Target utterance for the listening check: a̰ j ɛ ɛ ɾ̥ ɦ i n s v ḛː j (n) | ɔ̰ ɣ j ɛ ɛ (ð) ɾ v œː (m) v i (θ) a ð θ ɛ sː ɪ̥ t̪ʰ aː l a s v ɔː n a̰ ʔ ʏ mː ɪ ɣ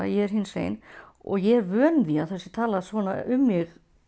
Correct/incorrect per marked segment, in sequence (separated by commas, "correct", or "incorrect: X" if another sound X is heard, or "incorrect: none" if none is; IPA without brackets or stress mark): correct, incorrect: none, incorrect: n, incorrect: none